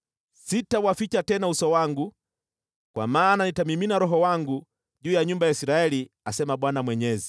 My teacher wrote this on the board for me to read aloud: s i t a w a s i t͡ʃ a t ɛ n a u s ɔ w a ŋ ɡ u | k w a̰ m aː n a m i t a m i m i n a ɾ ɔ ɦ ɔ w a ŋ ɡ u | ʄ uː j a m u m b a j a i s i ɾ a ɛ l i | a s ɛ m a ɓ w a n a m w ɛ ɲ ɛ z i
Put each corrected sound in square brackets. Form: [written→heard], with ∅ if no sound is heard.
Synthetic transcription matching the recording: s i t a w a [s→f] i t͡ʃ a t ɛ n a u s ɔ w a ŋ ɡ u | k w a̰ m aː n a [m→n] i t a m i m i n a ɾ ɔ ɦ ɔ w a ŋ ɡ u | ʄ uː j a [m→ɲ] u m b a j a i s i ɾ a ɛ l i | a s ɛ m a ɓ w a n a m w ɛ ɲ ɛ z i

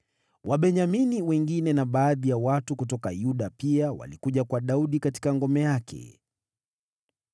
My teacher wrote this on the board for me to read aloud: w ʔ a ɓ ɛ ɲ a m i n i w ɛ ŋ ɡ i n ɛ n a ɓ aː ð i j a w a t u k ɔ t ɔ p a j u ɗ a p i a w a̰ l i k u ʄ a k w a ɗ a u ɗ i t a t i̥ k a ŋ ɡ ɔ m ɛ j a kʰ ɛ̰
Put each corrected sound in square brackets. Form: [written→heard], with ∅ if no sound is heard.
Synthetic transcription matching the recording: w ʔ a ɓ ɛ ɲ a m i n i w ɛ ŋ ɡ i n ɛ n a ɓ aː ð i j a w a t u k [ɔ→u] t ɔ [p→k] a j u ɗ a p i a w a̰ l i k u ʄ a k w a ɗ a u ɗ i [t→k] a t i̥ k a ŋ ɡ ɔ m ɛ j a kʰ ɛ̰

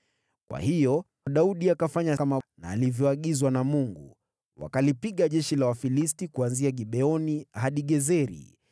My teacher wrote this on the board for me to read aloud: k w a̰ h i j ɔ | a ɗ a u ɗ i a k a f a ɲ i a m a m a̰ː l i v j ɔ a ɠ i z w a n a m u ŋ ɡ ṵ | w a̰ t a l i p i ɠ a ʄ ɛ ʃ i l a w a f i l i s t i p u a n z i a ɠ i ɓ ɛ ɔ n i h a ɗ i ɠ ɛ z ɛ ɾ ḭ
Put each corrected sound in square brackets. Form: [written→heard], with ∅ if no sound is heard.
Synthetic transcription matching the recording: k w a̰ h i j ɔ | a ɗ a u ɗ i a k a f a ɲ [i→a] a m a [m→n] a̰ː l i v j ɔ a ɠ i z w a n a m u ŋ ɡ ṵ | w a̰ [t→k] a l i p i ɠ a ʄ ɛ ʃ i l a w a f i l i s t i [p→k] u a n z i a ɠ i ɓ ɛ ɔ n i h a ɗ i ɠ ɛ z ɛ ɾ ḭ

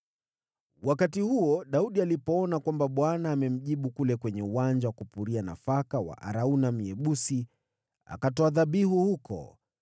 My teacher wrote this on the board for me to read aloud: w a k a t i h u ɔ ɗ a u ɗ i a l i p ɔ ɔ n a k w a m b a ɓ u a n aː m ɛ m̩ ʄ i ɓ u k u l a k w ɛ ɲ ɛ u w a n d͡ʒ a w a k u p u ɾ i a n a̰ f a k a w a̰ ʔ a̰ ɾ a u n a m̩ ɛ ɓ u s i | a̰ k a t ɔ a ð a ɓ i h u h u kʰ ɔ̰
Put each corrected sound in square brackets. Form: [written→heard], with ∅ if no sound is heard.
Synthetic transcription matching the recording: w a k a t i h u ɔ ɗ a u ɗ i a l i p ɔ ɔ n a k w a m b a ɓ [u→w] a n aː m ɛ m̩ ʄ i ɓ u k u l [a→ɛ] k w ɛ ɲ ɛ u w a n d͡ʒ a w a k u p u ɾ i a n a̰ f a k a w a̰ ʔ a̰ ɾ a u n a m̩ ɛ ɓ u s i | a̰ k a t ɔ a ð a ɓ i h u h u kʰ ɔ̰

